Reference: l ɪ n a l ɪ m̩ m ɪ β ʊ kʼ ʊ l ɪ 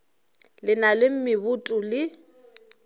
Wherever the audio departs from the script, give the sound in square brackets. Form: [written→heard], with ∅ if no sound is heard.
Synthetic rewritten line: l ɪ n a l ɪ m̩ m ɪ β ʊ [kʼ→tʼ] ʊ l ɪ